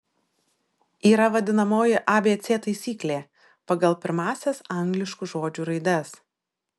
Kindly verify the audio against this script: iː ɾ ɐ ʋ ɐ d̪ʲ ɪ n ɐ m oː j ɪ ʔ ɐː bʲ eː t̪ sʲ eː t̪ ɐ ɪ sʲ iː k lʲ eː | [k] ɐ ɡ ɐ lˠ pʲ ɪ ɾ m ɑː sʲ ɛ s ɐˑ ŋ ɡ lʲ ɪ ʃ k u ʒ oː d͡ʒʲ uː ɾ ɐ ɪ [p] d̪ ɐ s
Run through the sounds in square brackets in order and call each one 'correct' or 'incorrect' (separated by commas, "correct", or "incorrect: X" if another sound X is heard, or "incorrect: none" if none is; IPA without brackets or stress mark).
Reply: incorrect: p, incorrect: none